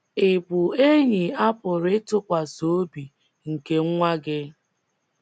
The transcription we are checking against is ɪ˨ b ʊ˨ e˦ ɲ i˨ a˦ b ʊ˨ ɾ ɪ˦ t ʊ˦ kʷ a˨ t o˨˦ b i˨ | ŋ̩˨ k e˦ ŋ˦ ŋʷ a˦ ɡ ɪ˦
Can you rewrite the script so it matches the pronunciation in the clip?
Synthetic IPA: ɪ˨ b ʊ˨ e˦ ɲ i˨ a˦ p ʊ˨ ɾ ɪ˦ t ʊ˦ kʷ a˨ s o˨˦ b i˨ | ŋ̩˨ k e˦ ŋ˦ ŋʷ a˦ ɡ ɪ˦